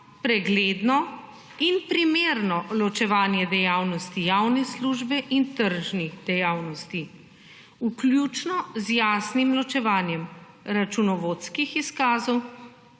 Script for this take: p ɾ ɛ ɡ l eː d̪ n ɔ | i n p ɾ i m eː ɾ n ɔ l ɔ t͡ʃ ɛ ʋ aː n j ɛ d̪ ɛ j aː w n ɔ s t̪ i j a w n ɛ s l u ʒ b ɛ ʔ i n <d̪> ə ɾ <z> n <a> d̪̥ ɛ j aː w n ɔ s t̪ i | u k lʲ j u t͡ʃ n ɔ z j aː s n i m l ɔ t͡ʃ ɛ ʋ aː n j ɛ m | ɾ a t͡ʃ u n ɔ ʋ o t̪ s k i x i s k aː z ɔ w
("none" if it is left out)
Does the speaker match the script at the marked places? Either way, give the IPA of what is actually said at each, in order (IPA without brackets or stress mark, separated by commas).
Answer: t̪, ʒ, i